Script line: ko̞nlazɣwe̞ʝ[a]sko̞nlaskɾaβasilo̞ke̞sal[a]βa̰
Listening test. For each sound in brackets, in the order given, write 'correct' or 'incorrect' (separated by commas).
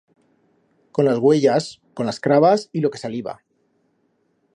correct, incorrect